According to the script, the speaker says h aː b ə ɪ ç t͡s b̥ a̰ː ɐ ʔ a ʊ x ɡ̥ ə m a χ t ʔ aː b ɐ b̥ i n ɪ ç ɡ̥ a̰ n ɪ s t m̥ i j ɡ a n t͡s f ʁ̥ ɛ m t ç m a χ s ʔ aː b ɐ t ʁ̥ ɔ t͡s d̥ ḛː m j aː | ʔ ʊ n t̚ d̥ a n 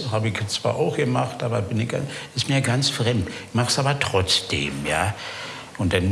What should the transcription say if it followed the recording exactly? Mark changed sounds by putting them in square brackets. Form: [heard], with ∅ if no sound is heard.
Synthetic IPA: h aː b ə ɪ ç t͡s [v̥] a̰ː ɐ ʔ a ʊ x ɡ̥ ə m a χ t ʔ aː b ɐ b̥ [ɪ] n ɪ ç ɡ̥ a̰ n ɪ s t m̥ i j ɡ a n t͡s f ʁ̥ ɛ m t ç m a χ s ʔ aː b ɐ t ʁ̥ ɔ t͡s d̥ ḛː m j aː | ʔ ʊ n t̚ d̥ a n